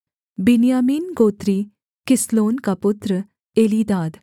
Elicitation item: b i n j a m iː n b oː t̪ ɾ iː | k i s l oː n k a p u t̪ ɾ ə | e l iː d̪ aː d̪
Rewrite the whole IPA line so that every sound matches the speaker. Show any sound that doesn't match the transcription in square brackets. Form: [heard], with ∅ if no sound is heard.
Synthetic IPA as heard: b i n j a m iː n [ɡ] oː t̪ ɾ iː | k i s l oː n k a p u t̪ ɾ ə | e l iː d̪ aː d̪